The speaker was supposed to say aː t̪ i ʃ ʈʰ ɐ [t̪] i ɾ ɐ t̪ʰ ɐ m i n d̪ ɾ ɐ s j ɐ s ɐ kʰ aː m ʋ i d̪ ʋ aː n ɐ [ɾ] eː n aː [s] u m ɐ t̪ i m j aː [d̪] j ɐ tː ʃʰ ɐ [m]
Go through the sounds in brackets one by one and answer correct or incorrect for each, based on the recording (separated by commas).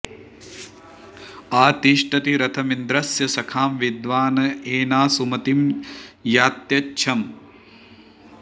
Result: correct, incorrect, correct, incorrect, correct